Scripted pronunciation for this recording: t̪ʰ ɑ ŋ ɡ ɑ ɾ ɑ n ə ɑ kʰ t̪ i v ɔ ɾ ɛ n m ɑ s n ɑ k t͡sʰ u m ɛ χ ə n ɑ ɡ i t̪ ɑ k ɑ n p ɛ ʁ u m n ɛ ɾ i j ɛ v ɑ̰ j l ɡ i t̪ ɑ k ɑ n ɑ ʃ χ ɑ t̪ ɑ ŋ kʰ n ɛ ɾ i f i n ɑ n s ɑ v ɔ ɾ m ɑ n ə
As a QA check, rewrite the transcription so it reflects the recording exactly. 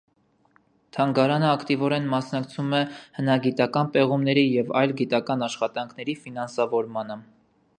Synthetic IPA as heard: t̪ʰ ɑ ŋ ɡ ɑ ɾ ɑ n ə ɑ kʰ t̪ i v ɔ ɾ ɛ n m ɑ s n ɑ k t͡sʰ u m ɛ h ə n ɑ ɡ i t̪ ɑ k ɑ n p ɛ ʁ u m n ɛ ɾ i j ɛ v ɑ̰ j l ɡ i t̪ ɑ k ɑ n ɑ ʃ χ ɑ t̪ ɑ ŋ kʰ n ɛ ɾ i f i n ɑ n s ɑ v ɔ ɾ m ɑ n ə